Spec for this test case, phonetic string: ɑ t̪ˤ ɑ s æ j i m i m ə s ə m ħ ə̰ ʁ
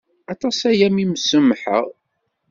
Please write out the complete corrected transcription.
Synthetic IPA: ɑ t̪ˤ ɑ s æ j æ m i m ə s ə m ħ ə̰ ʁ